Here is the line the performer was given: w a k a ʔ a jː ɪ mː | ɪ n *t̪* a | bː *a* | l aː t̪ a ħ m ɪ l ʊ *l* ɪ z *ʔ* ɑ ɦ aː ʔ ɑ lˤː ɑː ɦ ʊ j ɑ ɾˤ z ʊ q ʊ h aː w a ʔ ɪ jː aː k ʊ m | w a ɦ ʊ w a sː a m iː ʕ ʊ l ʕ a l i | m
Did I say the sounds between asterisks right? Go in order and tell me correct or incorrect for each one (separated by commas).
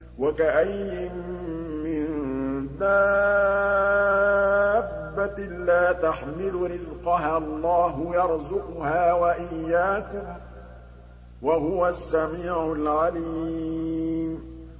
incorrect, correct, incorrect, incorrect